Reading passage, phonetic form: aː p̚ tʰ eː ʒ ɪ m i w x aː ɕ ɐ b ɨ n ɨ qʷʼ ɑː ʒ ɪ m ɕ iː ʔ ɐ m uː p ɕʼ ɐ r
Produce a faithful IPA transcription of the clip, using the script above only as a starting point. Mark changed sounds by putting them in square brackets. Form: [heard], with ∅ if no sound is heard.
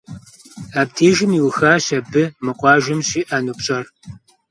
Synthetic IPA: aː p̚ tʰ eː ʒ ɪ m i w x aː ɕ ɐ b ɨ [m] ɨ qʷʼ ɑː ʒ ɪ m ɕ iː ʔ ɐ [n] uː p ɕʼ ɐ r

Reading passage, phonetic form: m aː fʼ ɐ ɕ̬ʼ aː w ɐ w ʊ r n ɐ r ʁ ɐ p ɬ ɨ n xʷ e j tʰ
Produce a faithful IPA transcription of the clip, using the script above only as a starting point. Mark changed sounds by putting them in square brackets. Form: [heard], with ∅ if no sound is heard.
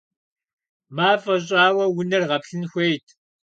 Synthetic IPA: m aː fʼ ɐ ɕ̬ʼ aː w ɐ w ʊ [∅] n ɐ r ʁ ɐ p ɬ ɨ n xʷ e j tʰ

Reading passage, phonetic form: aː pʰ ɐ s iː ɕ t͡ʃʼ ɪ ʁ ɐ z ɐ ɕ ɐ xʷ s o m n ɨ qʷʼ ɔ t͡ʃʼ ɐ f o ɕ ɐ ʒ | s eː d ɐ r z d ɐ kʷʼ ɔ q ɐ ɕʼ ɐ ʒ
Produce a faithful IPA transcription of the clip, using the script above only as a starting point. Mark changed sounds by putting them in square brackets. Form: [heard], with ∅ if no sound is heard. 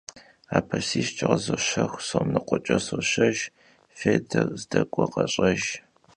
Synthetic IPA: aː pʰ ɐ s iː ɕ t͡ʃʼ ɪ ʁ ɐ z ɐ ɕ ɐ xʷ s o m n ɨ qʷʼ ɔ t͡ʃʼ ɐ [s] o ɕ ɐ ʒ | [f] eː d ɐ r z d ɐ kʷʼ ɔ q ɐ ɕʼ ɐ ʒ

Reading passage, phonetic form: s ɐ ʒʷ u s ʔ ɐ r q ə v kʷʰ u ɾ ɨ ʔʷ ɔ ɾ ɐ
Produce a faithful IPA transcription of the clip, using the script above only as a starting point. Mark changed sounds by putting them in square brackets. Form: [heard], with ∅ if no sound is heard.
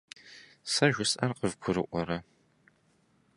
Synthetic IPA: s ɐ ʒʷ [ʊ] s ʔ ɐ r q ə v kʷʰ [ʊ] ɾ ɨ ʔʷ ɔ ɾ ɐ

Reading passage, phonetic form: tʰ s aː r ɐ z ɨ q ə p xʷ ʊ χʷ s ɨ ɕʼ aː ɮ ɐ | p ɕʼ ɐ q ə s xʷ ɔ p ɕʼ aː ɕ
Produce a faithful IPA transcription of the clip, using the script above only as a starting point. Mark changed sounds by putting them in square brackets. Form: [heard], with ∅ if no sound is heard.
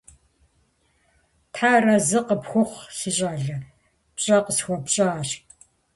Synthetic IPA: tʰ [ħ] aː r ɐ z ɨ q ə p xʷ ʊ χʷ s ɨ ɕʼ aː ɮ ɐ | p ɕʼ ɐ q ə s xʷ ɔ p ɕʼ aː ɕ

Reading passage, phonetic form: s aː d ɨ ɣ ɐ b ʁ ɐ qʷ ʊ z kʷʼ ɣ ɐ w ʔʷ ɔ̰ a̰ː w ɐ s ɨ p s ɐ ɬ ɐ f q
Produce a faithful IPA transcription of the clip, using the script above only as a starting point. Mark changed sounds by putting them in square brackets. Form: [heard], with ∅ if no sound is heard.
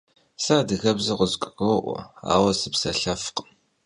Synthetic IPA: s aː d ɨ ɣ ɐ b [z] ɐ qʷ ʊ z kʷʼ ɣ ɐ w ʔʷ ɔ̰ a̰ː w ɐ s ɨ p s ɐ ɬ ɐ f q

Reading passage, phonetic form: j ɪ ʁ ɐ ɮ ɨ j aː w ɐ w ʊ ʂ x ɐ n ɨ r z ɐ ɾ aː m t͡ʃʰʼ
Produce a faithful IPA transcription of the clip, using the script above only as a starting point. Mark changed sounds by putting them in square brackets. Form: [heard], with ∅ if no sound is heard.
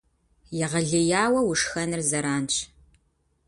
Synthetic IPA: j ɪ ʁ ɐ ɮ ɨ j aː w ɐ w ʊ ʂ x ɐ n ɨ r z ɐ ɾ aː [n] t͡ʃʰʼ

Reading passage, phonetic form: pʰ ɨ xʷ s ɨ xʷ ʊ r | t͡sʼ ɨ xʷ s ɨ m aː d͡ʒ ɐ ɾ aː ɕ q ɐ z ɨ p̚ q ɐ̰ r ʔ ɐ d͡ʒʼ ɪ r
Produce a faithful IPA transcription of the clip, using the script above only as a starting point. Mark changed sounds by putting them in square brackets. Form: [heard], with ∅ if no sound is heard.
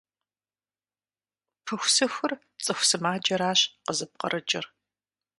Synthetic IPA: pʰ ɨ xʷ s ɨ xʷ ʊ r | t͡sʼ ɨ xʷ s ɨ m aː d͡ʒ ɐ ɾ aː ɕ q [ə] z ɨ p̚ q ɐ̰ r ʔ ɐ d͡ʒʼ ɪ r

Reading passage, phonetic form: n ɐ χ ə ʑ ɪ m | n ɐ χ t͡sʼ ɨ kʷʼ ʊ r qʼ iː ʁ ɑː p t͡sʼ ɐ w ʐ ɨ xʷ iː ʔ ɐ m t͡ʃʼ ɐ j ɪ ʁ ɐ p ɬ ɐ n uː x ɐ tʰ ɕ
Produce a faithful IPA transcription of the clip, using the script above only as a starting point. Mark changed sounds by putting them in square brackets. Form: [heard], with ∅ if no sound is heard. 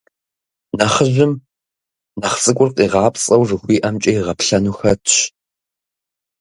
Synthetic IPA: n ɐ χ ə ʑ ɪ m | n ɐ χ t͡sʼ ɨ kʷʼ ʊ r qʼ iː ʁ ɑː p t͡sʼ ɐ w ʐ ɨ xʷ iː ʔ ɐ m t͡ʃʼ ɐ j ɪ ʁ ɐ p ɬ ɐ n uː x ɐ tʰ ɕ

